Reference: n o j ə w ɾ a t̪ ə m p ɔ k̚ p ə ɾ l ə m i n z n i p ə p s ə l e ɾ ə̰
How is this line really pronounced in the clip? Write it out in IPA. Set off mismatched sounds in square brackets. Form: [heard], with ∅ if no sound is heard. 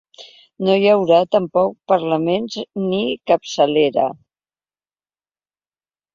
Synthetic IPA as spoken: n o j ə w ɾ a t̪ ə m p ɔ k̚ p ə ɾ l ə m [e] n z n i [k] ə p s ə l e ɾ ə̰